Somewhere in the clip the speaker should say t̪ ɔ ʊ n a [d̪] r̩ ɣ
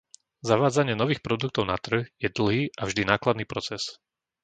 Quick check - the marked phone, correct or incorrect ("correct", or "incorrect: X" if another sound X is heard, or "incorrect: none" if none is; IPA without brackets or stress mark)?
incorrect: t̪